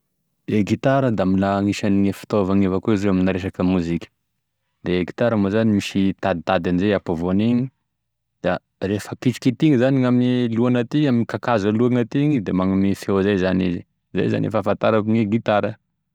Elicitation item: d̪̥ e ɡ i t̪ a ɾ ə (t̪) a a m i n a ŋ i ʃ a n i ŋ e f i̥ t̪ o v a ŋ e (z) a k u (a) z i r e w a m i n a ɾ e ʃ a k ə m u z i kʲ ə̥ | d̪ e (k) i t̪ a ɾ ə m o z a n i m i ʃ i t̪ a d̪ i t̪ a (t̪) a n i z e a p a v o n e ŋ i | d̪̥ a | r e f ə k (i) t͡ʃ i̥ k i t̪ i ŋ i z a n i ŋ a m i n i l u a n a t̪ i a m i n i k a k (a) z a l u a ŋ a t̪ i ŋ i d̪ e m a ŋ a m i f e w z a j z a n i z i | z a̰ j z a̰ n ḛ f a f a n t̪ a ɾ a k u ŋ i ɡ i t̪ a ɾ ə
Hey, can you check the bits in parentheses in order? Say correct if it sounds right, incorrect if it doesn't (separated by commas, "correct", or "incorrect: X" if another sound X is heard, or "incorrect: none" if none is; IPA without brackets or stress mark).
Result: incorrect: d̪, incorrect: v, incorrect: i, incorrect: ɡ, incorrect: d̪, correct, correct